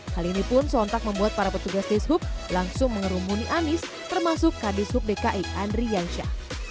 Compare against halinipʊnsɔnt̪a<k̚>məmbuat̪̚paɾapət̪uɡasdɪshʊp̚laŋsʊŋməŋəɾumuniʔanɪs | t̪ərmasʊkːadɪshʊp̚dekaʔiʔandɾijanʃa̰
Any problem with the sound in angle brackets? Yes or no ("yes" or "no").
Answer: no